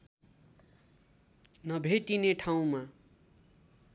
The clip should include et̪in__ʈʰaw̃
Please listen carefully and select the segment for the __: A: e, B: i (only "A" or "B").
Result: A